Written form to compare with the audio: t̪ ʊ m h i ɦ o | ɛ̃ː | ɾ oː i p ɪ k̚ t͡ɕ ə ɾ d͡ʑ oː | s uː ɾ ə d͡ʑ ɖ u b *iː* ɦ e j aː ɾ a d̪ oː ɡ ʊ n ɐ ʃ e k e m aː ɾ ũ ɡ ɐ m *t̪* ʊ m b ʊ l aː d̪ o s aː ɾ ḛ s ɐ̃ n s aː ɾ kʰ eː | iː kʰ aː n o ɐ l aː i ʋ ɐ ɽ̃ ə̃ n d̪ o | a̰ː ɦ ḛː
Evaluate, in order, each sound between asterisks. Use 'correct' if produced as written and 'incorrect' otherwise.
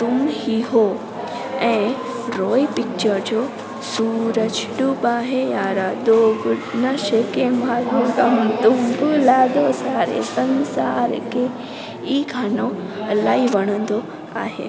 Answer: incorrect, correct

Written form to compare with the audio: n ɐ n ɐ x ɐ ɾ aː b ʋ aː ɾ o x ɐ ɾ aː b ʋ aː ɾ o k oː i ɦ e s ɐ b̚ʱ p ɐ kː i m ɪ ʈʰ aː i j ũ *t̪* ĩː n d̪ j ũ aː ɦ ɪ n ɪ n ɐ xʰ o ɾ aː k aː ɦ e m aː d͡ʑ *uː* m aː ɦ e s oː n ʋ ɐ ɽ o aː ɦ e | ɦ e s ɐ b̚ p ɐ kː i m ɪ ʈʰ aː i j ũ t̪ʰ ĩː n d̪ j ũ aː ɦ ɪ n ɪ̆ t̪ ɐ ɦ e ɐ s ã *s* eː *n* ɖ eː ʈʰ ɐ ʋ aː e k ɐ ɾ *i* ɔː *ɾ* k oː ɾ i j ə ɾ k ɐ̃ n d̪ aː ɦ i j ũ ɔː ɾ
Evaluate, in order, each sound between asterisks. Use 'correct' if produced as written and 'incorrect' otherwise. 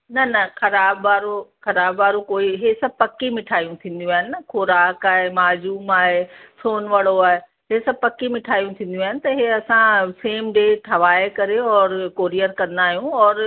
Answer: incorrect, correct, correct, incorrect, incorrect, correct

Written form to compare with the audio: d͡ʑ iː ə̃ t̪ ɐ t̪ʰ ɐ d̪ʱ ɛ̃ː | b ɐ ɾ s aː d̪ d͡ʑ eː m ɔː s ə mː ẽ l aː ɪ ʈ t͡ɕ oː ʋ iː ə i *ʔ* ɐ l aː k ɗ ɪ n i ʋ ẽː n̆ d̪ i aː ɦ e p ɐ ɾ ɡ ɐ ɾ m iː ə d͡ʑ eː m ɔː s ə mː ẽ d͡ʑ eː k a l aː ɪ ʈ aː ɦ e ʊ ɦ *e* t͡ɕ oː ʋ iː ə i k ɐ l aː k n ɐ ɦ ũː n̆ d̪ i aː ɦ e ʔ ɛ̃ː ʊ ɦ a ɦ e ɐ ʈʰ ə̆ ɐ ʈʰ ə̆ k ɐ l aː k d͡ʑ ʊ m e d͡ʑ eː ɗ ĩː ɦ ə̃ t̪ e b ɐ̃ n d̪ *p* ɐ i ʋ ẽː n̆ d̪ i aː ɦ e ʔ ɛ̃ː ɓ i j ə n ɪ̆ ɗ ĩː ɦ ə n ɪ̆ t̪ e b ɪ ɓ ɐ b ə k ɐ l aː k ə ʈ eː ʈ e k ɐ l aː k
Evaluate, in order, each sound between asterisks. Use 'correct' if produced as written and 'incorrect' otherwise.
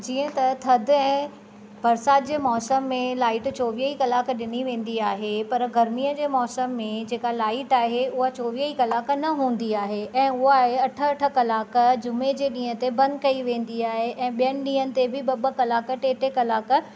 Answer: incorrect, incorrect, incorrect

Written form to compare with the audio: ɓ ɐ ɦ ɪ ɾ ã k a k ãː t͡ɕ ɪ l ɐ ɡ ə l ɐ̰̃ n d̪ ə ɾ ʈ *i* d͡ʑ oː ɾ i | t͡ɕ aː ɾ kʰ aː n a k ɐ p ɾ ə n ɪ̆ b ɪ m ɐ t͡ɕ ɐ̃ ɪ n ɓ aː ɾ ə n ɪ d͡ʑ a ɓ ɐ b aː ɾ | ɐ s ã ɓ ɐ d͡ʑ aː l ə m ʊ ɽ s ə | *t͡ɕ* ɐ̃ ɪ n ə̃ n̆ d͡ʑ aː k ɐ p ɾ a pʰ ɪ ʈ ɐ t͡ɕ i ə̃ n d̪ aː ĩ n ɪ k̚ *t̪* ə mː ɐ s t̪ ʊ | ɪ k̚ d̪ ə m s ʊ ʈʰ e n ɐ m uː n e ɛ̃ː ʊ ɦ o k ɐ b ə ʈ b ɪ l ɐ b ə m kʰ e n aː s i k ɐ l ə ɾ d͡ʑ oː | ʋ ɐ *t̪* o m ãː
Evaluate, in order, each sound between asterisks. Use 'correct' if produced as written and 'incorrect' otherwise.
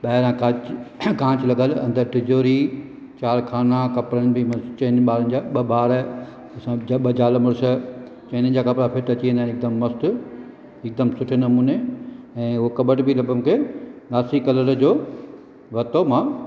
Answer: incorrect, correct, incorrect, correct

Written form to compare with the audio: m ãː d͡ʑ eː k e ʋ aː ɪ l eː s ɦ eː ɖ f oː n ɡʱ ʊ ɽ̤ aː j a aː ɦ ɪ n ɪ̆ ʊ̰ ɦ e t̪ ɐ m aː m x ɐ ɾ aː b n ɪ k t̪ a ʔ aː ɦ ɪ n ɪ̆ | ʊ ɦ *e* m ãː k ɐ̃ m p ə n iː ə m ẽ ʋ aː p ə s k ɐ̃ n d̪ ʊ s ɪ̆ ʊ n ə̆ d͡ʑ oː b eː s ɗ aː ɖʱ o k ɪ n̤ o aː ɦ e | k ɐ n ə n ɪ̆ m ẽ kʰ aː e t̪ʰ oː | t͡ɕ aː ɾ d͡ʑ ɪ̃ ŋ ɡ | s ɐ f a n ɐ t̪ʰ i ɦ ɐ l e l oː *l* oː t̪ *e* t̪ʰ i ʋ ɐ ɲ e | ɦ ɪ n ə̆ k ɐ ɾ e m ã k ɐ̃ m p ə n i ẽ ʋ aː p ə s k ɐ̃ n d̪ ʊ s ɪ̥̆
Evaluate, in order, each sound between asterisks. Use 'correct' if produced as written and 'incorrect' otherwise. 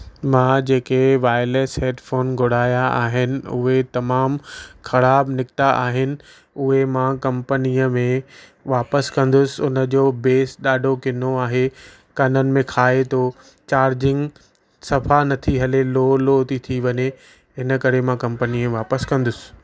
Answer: correct, correct, incorrect

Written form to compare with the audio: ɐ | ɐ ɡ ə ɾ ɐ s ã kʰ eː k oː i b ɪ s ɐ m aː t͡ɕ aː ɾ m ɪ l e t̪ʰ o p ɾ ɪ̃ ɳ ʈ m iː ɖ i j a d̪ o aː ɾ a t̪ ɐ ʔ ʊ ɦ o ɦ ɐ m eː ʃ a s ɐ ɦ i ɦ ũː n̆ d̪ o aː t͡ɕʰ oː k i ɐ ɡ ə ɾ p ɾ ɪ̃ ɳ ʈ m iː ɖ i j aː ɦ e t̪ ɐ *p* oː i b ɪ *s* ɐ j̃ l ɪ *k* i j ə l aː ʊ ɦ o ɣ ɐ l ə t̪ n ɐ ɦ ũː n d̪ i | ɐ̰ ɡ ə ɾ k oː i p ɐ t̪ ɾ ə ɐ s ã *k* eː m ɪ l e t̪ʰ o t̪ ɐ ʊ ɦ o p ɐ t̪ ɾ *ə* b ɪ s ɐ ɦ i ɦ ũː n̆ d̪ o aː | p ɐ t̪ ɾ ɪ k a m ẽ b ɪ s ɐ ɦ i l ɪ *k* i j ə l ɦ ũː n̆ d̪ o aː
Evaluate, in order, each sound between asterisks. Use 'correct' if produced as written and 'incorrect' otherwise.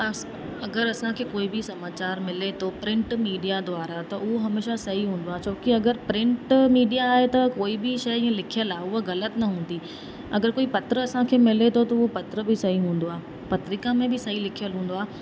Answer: incorrect, incorrect, incorrect, incorrect, correct, incorrect

